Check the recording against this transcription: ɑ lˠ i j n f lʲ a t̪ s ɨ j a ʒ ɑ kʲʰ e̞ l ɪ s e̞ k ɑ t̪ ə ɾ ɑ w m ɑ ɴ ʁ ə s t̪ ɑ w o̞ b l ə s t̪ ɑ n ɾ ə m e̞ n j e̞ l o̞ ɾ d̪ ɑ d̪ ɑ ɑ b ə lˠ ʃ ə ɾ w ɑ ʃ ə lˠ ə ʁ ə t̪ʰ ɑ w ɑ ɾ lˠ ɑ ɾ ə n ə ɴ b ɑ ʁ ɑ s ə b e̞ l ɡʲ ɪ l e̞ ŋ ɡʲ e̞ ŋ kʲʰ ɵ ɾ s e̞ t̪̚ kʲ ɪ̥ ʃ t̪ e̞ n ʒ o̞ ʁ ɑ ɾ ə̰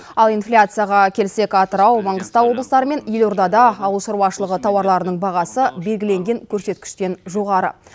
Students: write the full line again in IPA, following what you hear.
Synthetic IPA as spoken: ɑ lˠ i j n f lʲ a t̪ s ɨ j a ʁ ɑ kʲʰ e̞ l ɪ s e̞ k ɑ t̪ ə ɾ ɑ w m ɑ ɴ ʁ ə s t̪ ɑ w o̞ b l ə s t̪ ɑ ɾ ə m e̞ n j e̞ l o̞ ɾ d̪ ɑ d̪ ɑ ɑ w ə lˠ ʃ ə ɾ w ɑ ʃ ə lˠ ə ʁ ə t̪ʰ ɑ w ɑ ɾ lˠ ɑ ɾ ə n ə ɴ b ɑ ʁ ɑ s ə b e̞ l ɡʲ ɪ l e̞ ŋ ɡʲ e̞ ŋ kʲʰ ɵ ɾ s e̞ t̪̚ kʲ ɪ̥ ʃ t̪ e̞ n ʒ o̞ ʁ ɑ ɾ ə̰